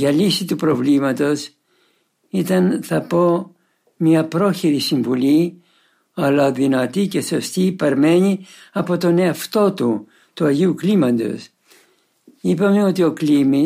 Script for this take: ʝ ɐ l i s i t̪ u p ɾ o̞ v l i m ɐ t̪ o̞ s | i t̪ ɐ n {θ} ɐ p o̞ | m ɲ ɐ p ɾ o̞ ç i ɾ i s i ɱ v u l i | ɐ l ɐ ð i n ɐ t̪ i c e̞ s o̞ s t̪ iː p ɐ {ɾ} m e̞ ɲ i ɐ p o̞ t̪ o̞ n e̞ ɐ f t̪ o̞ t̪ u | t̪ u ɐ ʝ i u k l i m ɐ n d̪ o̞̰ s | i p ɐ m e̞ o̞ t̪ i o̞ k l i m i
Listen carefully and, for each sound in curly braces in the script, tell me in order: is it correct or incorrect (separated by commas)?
correct, correct